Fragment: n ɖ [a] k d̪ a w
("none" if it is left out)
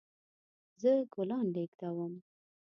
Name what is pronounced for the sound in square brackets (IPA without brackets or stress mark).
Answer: e